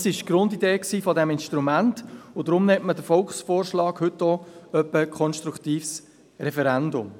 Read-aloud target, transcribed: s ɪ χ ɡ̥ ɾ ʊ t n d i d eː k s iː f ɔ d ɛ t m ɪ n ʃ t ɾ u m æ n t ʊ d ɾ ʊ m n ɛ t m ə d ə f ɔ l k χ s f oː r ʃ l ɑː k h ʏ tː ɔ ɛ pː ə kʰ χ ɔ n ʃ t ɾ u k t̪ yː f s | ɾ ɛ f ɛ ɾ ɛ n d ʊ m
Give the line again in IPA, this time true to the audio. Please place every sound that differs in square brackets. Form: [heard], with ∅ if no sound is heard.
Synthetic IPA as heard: s ɪ [ʃ] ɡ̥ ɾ ʊ [∅] n d i d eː k s iː f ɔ d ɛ [∅] m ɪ n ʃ t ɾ u m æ n t ʊ d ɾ ʊ m n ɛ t m ə d ə f ɔ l k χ s f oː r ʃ l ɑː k h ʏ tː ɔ [œ] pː ə kʰ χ ɔ n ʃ t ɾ u k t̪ [iː] f s | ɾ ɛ f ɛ ɾ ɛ n d ʊ m